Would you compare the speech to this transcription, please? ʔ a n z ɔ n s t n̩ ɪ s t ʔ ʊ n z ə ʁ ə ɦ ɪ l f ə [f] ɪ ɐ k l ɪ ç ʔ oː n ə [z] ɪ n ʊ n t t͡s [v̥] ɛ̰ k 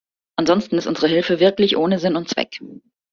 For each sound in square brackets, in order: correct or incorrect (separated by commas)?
incorrect, correct, correct